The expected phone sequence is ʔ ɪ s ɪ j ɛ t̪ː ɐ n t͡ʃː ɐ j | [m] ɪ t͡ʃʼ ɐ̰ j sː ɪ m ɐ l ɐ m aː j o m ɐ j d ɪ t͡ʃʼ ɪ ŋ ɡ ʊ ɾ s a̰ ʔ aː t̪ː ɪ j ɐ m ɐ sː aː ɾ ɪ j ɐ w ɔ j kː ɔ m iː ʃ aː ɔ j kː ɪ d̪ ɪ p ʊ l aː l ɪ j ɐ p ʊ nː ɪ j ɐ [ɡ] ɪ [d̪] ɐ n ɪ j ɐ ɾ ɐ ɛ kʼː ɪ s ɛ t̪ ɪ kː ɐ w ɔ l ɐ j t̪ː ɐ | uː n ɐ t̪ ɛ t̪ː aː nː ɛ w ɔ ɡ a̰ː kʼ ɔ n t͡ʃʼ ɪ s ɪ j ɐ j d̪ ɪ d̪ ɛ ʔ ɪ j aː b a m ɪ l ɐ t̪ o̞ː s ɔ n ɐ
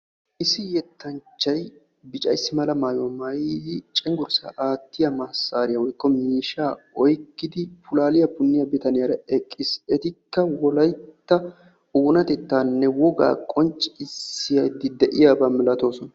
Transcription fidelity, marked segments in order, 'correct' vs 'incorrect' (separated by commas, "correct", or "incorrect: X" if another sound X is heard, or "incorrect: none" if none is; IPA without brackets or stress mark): incorrect: b, incorrect: b, incorrect: t̪